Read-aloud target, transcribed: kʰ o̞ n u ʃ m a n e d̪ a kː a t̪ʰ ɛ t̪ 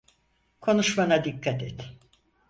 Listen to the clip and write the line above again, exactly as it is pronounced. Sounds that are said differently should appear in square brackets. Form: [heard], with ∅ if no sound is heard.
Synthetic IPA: kʰ o̞ n u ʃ m a n [a] d̪ [i] kː a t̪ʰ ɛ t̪